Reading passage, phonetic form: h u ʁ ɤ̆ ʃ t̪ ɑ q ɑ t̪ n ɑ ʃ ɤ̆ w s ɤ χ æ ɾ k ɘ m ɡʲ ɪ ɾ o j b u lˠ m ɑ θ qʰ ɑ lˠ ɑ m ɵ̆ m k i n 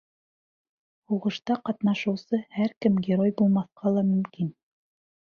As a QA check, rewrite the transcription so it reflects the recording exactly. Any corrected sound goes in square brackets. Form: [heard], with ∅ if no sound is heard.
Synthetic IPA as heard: h u ʁ ɤ̆ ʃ t̪ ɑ q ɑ t̪ n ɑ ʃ ɤ̆ w s ɤ [h] æ ɾ k ɘ m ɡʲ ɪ ɾ o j b u lˠ m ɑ θ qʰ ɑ lˠ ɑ m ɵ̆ m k i n